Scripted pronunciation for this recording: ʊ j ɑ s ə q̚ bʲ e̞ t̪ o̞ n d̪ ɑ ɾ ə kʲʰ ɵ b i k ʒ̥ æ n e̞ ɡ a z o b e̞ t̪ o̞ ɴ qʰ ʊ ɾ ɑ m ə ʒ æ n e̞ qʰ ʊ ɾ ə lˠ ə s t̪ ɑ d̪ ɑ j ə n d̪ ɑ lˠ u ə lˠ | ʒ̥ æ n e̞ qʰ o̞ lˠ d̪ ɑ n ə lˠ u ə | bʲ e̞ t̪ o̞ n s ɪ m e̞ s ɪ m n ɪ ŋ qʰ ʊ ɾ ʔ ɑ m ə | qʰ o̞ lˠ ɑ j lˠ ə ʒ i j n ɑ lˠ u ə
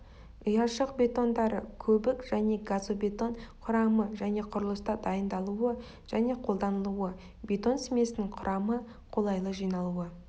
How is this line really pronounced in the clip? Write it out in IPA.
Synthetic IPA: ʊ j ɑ ʃ ə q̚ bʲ e̞ t̪ o̞ n d̪ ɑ ɾ ə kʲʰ ɵ b ɪ k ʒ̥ æ n e̞ ɡ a z o b e̞ t̪ o̞ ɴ qʰ ʊ ɾ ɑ m ə ʒ æ n e̞ qʰ ʊ ɾ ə lˠ ə s t̪ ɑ d̪ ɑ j ə n d̪ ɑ lˠ u ə | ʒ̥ æ n e̞ qʰ o̞ lˠ d̪ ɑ n ə lˠ u ə | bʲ e̞ t̪ o̞ n s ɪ m e̞ s ɪ n ɪ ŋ qʰ ʊ ɾ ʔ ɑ m ə | qʰ o̞ lˠ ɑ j lˠ ə ʒ i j n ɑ lˠ u ə